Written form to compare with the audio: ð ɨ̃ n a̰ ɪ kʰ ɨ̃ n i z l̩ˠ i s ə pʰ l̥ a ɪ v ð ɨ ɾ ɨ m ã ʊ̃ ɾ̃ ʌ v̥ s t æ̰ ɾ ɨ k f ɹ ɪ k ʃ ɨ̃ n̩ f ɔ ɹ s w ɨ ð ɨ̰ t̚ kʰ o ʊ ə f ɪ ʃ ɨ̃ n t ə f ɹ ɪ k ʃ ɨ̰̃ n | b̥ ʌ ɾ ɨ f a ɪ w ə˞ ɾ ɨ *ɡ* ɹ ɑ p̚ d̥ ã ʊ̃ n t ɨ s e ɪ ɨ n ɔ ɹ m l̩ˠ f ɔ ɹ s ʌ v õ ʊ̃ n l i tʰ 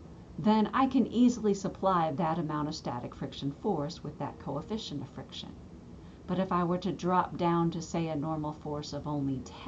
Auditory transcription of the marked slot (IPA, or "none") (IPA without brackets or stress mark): d